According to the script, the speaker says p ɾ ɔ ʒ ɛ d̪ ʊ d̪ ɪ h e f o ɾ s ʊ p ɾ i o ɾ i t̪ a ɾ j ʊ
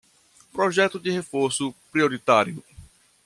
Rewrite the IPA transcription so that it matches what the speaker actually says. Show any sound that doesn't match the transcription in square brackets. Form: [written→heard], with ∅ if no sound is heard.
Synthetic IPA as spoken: p ɾ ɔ ʒ ɛ [d̪→t̪] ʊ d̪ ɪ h e f o ɾ s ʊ p ɾ i o ɾ i t̪ a ɾ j ʊ